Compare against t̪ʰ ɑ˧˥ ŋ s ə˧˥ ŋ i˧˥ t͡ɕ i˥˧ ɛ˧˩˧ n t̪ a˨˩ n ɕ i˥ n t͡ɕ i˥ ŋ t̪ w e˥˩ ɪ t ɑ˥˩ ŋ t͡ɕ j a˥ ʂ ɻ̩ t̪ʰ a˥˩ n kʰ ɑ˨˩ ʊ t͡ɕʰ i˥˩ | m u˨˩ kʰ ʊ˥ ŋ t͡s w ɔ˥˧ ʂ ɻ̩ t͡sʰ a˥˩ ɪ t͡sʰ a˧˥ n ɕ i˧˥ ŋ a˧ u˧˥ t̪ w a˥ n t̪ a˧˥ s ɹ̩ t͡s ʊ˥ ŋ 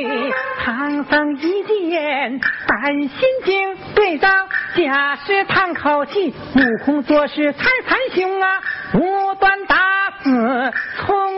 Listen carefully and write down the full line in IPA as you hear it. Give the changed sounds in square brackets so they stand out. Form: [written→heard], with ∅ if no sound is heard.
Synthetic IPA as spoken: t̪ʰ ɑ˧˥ ŋ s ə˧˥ ŋ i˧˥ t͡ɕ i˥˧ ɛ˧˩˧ n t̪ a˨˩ n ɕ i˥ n t͡ɕ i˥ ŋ t̪ w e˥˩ ɪ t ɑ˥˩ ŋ t͡ɕ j [a˥→a˨˩] ʂ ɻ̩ t̪ʰ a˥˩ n kʰ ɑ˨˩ ʊ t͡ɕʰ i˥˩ | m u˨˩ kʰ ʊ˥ ŋ t͡s w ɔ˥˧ ʂ ɻ̩ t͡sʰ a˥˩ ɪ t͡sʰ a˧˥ n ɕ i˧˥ ŋ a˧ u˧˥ t̪ w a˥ n t̪ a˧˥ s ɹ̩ [t͡s→t͡sʰ] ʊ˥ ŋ